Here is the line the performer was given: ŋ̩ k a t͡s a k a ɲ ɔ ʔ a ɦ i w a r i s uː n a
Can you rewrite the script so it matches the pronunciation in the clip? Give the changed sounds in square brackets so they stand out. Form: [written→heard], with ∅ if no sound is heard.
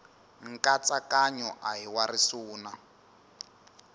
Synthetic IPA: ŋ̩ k a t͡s a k a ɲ ɔ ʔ a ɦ i w a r i s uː n a